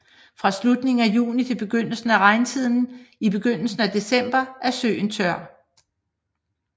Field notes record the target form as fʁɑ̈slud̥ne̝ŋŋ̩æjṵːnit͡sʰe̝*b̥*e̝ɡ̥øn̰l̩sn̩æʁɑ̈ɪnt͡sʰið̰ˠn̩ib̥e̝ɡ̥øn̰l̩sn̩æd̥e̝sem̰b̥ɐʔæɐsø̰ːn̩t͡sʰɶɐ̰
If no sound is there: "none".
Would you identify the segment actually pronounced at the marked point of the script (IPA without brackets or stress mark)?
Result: b̥